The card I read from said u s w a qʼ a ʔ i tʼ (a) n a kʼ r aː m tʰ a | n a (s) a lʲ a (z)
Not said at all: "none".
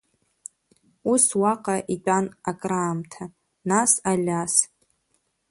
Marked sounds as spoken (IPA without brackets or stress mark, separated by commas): a, s, s